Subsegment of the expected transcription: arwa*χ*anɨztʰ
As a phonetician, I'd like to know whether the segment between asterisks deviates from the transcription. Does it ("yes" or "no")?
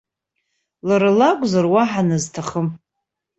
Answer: yes